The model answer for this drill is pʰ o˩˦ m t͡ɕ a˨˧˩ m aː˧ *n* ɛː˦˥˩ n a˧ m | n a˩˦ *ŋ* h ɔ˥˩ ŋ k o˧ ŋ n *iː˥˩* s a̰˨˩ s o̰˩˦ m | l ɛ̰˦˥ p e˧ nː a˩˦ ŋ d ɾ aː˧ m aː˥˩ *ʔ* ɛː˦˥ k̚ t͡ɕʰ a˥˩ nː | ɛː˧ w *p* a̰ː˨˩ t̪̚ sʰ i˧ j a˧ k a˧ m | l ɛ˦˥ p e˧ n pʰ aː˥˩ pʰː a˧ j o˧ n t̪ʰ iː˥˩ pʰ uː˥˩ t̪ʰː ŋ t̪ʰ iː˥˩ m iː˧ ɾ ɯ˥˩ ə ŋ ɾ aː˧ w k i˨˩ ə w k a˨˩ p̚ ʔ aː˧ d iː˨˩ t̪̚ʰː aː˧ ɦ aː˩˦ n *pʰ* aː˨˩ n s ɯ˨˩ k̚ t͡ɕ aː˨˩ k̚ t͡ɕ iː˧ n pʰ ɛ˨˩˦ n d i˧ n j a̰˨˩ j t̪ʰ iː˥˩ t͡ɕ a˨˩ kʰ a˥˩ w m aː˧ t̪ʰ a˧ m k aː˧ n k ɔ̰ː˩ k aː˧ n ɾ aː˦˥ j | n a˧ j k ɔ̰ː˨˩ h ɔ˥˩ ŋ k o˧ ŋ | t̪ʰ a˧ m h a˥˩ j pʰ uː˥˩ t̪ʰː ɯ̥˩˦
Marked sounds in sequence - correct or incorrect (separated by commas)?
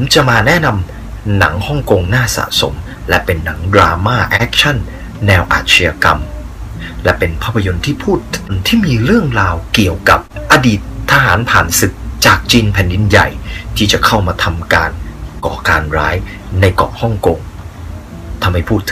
correct, correct, incorrect, correct, incorrect, correct